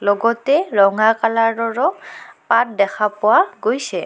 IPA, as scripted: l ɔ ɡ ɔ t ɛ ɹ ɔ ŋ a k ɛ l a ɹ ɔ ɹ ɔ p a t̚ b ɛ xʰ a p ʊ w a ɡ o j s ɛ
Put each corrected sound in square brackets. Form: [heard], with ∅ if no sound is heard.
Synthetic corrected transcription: l ɔ ɡ ɔ t ɛ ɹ ɔ ŋ a k [a] l a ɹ ɔ ɹ ɔ p a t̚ [d] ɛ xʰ a p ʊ w a ɡ o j s ɛ